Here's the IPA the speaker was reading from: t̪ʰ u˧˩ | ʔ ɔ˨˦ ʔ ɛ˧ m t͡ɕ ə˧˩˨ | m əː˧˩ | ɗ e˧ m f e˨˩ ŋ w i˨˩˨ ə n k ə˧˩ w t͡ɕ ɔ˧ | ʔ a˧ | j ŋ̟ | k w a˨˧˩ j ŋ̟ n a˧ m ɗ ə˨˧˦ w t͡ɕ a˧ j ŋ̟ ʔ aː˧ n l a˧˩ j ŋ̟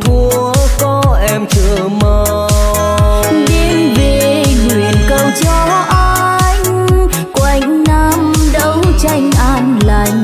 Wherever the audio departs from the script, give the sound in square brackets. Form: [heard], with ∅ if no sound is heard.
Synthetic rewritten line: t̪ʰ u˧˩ | [k] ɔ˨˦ ʔ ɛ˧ m t͡ɕ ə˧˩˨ | m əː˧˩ | ɗ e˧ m [v] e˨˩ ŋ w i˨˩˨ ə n k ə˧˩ w t͡ɕ ɔ˧ | ʔ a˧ | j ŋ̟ | k w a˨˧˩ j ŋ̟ n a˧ m ɗ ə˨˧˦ w t͡ɕ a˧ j ŋ̟ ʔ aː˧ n l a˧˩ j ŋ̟